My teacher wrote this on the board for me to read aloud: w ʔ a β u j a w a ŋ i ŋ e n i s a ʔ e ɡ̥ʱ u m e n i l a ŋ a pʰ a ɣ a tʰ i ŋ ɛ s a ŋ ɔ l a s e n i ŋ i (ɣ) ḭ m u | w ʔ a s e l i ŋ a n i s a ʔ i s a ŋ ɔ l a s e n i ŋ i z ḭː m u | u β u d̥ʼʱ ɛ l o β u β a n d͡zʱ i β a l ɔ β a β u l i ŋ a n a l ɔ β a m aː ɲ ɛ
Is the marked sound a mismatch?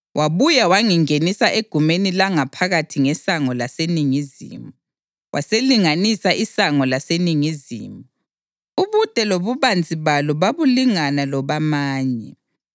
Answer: yes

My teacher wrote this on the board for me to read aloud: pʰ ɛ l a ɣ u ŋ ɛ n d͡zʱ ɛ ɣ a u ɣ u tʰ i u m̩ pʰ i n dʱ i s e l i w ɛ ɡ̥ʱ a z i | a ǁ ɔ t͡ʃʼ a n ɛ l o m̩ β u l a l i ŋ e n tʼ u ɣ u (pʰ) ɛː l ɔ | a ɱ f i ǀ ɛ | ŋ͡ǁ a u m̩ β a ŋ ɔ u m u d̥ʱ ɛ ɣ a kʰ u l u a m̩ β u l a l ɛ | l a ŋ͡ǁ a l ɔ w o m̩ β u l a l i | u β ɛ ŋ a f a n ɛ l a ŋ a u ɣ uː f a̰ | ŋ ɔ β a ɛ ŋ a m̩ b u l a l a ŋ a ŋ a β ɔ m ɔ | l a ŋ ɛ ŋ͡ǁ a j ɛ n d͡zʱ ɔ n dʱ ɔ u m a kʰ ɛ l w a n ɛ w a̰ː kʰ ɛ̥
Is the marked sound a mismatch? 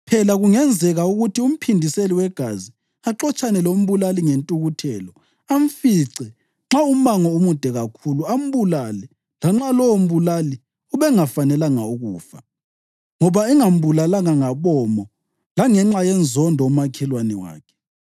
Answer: yes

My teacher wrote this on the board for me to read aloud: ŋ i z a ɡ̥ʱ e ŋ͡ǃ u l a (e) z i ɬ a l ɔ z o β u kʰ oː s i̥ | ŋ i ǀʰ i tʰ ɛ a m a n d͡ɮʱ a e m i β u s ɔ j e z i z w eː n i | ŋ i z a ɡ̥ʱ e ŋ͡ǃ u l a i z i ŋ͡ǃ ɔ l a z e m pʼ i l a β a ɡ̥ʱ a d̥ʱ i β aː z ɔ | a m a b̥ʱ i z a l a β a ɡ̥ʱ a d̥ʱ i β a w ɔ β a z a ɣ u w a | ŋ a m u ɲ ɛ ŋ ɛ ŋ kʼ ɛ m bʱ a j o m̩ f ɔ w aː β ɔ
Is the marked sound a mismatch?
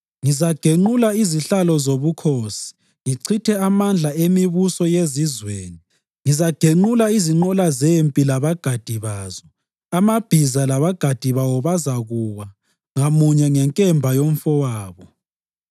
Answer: yes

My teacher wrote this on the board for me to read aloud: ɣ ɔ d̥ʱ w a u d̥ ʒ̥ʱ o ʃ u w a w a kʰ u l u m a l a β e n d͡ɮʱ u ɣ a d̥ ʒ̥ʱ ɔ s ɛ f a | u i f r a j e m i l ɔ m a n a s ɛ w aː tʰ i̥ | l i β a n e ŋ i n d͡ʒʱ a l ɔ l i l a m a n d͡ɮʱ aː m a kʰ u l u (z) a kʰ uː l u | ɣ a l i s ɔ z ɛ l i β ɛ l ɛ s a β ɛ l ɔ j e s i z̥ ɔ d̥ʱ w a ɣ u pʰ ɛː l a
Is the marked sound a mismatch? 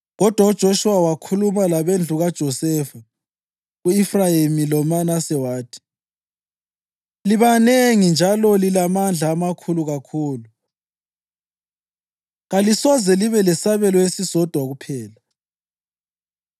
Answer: yes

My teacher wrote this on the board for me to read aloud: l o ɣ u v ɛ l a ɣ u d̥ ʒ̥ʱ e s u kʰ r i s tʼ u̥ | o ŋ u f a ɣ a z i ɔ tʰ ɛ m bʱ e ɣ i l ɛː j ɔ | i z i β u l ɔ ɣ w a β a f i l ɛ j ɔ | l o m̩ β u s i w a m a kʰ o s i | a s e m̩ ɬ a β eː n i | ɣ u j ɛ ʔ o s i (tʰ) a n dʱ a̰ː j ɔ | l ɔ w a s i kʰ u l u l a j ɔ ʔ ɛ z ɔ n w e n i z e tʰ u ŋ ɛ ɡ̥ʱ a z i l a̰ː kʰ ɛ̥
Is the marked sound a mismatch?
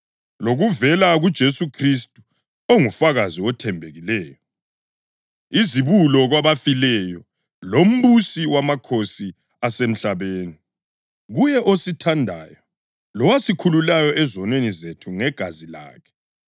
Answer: no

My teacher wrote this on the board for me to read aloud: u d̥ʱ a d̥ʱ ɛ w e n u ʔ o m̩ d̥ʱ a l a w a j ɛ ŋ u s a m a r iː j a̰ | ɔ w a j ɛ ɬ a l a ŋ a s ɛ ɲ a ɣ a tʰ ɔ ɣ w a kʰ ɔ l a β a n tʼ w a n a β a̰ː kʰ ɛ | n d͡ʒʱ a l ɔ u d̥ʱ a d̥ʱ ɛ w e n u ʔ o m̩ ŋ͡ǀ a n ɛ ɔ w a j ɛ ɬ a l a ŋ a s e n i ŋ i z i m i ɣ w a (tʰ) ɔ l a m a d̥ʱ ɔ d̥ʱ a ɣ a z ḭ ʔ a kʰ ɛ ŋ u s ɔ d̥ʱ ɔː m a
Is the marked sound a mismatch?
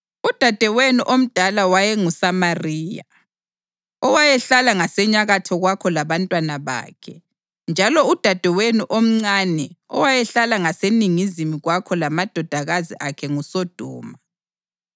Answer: yes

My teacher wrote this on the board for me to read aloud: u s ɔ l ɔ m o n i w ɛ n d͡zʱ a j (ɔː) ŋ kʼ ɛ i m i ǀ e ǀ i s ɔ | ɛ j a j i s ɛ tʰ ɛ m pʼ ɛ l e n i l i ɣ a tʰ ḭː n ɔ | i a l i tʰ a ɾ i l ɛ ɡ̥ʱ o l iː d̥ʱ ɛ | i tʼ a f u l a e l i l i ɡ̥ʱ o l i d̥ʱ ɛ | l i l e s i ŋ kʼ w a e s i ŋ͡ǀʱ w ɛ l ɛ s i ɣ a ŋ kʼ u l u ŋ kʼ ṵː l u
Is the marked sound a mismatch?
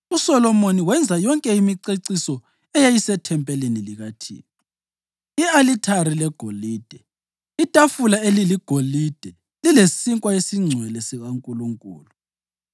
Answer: yes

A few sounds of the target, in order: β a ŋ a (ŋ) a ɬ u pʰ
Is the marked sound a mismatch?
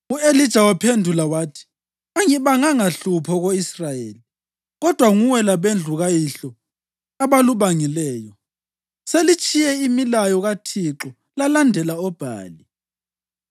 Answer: no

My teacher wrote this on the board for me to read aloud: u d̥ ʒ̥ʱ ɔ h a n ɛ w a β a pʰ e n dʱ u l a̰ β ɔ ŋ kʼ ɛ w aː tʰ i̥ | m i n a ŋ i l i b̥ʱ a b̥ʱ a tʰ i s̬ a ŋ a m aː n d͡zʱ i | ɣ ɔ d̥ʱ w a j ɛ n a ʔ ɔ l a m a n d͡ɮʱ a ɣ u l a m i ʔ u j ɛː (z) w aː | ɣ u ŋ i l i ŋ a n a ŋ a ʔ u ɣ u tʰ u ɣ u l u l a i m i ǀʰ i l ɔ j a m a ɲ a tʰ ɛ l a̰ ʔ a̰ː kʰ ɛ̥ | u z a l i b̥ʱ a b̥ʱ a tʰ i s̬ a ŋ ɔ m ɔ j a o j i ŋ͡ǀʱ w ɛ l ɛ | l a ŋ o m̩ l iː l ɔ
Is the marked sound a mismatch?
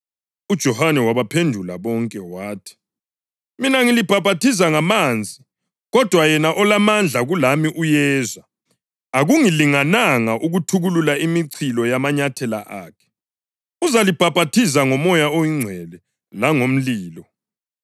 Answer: no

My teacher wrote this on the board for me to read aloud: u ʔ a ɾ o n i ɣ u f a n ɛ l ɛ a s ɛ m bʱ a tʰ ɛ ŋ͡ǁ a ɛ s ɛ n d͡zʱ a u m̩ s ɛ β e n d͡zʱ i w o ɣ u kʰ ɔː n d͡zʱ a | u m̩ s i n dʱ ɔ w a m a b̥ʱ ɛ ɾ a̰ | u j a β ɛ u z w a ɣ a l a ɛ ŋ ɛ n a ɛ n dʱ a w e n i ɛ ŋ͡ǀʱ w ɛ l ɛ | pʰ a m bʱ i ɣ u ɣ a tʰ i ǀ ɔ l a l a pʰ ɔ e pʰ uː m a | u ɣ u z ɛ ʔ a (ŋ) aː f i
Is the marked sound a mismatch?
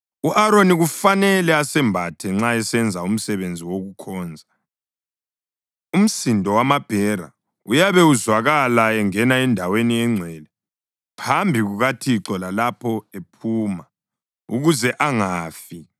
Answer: no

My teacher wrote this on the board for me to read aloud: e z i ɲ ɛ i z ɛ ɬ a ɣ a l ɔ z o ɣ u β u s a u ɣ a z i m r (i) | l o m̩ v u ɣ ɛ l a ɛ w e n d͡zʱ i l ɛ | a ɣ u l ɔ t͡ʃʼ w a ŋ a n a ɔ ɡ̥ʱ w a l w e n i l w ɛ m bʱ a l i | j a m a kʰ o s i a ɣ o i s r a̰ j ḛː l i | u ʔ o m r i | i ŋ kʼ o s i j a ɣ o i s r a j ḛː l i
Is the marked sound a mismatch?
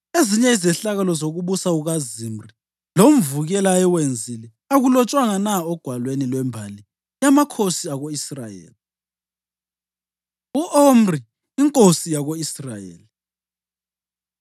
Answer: no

